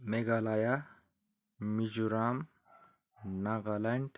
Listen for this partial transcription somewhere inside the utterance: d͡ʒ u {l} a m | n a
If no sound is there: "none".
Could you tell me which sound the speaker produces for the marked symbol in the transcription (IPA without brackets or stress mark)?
ɾ